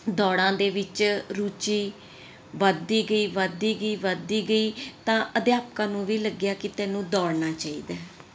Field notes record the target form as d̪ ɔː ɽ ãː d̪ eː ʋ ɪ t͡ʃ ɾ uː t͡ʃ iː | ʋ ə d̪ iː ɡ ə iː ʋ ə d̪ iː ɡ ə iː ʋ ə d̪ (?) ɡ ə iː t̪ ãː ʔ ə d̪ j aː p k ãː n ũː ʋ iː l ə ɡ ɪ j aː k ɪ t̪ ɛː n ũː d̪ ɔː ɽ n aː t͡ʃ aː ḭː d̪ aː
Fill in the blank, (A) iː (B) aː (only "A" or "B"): A